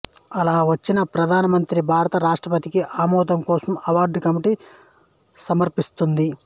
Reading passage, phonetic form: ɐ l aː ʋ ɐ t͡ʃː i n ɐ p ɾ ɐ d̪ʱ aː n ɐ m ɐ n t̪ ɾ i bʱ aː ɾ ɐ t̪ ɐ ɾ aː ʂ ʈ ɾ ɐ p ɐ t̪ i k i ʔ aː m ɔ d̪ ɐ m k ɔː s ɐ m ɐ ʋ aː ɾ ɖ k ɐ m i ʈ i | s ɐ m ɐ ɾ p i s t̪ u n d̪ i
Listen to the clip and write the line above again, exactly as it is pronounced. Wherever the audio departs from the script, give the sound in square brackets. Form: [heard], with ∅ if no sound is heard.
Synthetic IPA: ɐ l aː ʋ ɐ t͡ʃː i n ɐ p ɾ ɐ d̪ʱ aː n ɐ m ɐ n t̪ ɾ i bʱ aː ɾ ɐ t̪ ɐ ɾ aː ʂ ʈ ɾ ɐ p ɐ t̪ i k i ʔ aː m [ɔː] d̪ ɐ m k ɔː s ɐ m ɐ ʋ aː ɾ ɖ k ɐ m i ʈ i | s ɐ m ɐ ɾ p i s t̪ u n d̪ i